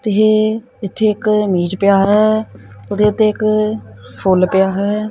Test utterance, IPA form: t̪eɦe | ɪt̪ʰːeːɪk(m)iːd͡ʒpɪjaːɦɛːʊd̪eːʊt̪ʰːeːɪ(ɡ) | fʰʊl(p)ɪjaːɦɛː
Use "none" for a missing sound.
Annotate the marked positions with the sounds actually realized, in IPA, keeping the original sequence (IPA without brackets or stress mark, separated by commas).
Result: m, k, p